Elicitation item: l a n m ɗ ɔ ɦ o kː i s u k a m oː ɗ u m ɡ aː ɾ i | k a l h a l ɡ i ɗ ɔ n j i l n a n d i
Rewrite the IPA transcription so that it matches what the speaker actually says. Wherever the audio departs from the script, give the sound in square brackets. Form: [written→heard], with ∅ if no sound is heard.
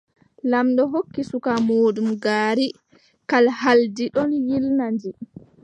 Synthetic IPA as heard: l a [n→∅] m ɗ ɔ ɦ o kː i s u k a m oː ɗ u m ɡ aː ɾ i | k a l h a l [ɡ→d] i ɗ ɔ n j i l n a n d i